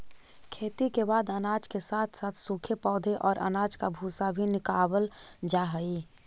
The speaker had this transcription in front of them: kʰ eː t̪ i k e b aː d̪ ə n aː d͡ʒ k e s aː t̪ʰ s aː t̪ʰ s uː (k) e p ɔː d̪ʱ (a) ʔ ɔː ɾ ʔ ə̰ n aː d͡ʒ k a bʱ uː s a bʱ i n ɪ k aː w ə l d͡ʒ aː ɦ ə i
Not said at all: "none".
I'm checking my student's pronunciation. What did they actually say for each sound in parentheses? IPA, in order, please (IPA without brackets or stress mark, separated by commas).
kʰ, e